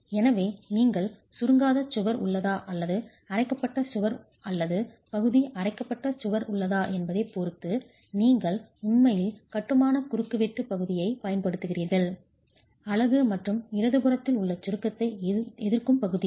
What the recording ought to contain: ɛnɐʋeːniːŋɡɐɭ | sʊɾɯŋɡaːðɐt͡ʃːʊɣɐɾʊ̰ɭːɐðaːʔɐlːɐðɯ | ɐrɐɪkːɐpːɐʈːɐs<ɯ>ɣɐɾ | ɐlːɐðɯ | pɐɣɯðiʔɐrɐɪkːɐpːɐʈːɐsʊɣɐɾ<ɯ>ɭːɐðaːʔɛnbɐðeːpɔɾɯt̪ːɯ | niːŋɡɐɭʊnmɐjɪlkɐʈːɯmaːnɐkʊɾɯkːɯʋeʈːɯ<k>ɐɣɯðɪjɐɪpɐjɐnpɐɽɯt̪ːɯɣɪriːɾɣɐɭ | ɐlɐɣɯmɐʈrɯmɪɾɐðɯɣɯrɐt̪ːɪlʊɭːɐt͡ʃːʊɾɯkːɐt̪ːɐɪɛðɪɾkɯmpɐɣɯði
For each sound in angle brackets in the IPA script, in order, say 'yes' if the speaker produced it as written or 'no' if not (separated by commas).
no, no, no